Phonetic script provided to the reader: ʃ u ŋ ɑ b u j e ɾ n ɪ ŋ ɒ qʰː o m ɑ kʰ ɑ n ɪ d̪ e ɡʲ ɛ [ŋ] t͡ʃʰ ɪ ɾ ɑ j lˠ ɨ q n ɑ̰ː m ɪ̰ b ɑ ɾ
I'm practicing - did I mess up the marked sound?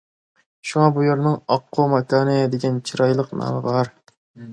yes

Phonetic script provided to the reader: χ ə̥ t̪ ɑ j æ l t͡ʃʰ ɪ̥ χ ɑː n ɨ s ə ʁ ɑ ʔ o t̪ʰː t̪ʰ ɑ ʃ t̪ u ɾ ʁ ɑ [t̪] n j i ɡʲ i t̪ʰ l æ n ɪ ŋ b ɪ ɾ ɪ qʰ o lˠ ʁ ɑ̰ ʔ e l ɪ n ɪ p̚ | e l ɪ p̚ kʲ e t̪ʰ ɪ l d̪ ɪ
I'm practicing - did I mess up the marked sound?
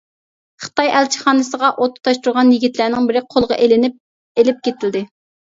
yes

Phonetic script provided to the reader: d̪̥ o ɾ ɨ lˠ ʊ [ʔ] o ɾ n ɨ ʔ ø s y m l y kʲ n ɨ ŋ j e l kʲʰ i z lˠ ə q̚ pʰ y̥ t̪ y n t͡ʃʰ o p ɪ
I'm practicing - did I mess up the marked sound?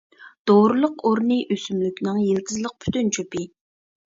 yes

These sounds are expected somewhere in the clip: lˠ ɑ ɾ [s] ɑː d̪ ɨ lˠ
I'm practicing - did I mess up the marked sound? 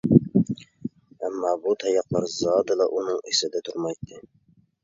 yes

